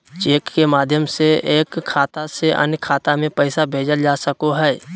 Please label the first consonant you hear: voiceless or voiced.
voiceless